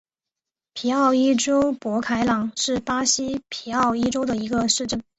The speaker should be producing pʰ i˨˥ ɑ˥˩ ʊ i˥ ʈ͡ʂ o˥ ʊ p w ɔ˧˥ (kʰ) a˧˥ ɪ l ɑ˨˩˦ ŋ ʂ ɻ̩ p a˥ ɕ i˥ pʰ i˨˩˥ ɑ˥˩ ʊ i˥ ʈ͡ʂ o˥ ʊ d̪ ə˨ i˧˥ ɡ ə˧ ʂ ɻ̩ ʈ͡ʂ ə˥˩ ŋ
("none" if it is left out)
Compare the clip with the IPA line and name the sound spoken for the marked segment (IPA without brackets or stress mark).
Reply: kʰ